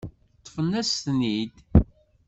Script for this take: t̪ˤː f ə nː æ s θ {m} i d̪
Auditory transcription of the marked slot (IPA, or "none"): n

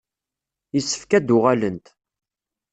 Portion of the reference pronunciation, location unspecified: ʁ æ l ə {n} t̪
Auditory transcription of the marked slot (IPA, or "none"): n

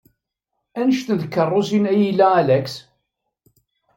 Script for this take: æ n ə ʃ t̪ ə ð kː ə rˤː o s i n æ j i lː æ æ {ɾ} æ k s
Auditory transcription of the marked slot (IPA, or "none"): l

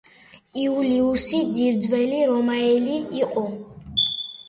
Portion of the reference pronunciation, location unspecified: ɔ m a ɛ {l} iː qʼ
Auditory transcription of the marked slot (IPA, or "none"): l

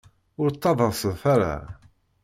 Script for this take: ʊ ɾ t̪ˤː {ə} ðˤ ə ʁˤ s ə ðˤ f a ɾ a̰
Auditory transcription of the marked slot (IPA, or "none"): ɑ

